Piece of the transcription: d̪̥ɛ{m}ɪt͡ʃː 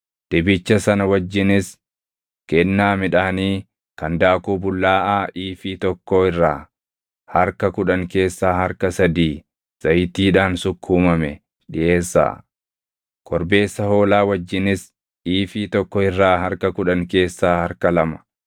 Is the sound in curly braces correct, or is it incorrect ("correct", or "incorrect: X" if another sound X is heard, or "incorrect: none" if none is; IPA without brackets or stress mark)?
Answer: incorrect: b